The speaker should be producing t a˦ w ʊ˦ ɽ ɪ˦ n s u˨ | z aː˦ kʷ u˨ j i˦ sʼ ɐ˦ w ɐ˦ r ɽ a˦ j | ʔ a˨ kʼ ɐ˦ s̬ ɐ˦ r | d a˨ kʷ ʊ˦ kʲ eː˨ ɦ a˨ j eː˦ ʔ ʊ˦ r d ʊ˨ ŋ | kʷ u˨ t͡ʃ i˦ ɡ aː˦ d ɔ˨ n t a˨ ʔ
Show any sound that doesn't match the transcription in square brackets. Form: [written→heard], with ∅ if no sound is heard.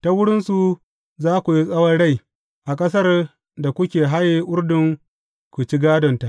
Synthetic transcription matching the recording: t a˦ w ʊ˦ ɽ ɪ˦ n s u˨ | z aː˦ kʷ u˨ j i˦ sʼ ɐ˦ w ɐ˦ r ɽ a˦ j | ʔ a˨ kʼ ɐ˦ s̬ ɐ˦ r | d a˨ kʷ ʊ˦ kʲ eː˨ ɦ [a˨→a˦] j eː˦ ʔ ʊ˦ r d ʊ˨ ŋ | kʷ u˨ t͡ʃ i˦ ɡ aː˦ d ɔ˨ n t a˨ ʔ